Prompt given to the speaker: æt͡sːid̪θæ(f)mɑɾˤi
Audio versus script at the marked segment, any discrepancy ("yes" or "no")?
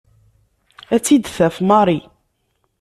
no